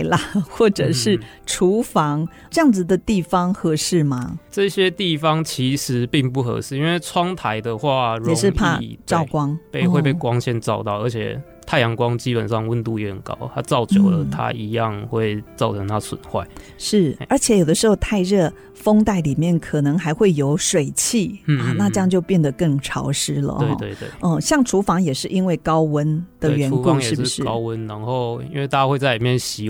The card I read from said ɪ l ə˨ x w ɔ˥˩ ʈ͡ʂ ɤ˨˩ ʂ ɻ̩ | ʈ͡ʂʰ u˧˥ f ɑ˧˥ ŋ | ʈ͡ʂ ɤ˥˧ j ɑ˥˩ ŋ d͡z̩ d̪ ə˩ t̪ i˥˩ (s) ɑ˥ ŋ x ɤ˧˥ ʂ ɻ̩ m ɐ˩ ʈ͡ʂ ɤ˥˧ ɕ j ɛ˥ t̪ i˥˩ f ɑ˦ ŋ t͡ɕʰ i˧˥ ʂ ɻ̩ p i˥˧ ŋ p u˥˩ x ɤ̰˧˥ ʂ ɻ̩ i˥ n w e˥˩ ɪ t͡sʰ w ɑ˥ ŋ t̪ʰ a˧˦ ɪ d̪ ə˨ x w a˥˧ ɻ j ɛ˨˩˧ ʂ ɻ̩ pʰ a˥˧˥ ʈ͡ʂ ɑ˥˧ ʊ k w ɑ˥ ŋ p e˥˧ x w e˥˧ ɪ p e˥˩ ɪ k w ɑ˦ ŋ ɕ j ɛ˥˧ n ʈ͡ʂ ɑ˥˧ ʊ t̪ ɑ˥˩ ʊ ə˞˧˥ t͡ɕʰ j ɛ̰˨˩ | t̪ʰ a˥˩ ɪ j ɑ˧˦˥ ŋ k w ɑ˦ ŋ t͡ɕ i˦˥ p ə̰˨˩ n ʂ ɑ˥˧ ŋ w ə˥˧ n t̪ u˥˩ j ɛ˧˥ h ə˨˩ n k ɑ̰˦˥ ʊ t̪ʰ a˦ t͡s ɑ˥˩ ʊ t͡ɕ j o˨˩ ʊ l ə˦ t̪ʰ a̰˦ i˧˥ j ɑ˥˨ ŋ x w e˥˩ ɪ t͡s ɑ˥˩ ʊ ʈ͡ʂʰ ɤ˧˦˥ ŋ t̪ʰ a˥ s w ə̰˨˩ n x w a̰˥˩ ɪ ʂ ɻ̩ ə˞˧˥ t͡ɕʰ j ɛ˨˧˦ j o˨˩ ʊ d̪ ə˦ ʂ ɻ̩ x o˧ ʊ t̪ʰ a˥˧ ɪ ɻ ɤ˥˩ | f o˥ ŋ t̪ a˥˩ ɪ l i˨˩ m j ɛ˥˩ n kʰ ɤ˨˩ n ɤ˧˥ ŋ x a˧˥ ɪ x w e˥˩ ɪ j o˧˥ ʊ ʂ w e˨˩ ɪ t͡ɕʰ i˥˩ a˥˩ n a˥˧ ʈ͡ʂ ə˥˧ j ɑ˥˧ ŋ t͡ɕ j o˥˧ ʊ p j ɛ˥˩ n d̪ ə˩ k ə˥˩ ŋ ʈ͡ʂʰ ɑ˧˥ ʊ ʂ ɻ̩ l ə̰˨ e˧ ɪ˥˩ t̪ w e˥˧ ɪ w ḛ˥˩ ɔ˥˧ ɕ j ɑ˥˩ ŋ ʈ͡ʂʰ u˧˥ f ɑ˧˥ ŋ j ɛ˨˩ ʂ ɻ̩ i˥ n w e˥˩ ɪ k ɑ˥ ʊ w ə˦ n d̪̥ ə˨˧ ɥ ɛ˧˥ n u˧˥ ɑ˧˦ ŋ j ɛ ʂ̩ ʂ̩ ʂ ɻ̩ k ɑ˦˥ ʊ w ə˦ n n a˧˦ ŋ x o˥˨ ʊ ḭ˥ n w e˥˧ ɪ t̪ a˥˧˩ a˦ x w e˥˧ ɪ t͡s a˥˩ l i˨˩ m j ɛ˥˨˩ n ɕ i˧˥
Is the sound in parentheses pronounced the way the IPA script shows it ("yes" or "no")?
no